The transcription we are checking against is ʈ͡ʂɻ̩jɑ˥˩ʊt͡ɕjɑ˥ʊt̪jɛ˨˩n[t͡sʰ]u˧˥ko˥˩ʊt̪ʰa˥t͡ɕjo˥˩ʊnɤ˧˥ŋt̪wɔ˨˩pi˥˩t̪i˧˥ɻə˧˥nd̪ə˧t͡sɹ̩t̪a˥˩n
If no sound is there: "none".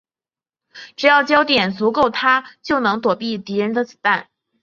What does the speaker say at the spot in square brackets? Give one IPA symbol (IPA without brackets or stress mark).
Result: t͡s